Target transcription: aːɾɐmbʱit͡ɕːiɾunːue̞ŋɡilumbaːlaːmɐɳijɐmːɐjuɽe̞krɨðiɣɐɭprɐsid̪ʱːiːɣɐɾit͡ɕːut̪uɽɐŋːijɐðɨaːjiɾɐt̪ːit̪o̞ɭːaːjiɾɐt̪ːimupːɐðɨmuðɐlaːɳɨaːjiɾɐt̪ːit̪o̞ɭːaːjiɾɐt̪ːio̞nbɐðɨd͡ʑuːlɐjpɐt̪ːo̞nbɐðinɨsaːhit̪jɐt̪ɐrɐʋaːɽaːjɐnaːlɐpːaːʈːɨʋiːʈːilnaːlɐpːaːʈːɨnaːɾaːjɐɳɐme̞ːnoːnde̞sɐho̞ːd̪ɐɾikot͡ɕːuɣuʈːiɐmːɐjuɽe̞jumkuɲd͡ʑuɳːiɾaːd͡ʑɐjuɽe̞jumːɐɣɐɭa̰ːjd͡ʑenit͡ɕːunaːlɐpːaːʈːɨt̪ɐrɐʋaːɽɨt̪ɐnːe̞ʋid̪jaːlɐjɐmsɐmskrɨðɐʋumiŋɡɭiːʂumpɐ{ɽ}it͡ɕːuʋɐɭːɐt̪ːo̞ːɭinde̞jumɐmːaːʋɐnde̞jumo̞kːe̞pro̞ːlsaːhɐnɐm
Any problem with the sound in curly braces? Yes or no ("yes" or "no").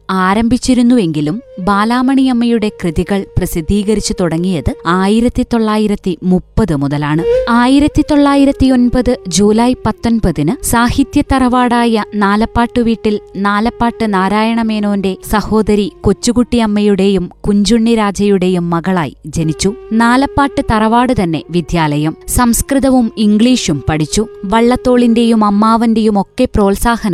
no